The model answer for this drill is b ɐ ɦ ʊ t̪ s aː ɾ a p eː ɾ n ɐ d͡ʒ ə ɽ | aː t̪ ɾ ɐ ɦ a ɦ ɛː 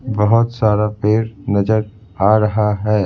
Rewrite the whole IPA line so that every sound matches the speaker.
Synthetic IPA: b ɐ ɦ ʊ t̪ s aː ɾ a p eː ɾ n ɐ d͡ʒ ə ɾ | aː ɾ ɐ ɦ a ɦ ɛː